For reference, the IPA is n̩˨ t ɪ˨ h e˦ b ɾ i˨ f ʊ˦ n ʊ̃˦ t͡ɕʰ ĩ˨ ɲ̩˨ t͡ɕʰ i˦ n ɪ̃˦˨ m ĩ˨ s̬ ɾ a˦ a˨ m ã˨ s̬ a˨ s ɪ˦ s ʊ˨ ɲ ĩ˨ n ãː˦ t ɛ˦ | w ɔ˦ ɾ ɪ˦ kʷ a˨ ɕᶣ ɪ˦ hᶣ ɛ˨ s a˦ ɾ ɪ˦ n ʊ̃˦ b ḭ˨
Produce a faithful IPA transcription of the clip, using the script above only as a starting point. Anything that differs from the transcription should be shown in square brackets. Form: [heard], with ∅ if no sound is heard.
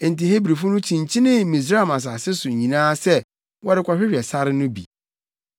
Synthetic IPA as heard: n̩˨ t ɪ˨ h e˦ b ɾ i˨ f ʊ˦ n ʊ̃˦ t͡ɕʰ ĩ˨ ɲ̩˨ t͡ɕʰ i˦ n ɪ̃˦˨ m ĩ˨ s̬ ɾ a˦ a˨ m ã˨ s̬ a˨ s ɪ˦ s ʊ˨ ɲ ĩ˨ n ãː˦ [s] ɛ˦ | w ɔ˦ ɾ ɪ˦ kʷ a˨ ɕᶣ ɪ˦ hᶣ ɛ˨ s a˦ ɾ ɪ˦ n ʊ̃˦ b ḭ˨